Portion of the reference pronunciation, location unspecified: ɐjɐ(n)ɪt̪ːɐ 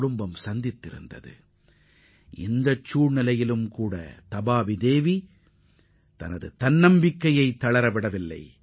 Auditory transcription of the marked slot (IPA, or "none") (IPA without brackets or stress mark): none